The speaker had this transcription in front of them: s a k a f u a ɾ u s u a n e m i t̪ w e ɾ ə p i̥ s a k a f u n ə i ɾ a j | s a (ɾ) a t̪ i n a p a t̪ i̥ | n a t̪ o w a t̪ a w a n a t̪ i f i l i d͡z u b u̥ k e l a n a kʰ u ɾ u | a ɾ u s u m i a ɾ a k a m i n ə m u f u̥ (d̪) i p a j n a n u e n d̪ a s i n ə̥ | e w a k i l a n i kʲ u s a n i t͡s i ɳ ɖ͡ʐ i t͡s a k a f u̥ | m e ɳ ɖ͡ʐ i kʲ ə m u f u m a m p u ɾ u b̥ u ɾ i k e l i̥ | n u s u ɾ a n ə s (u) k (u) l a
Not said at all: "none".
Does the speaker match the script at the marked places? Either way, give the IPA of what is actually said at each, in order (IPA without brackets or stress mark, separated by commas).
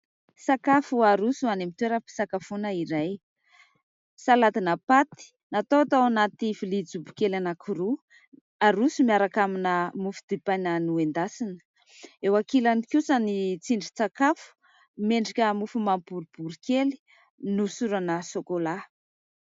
l, d̪, o, o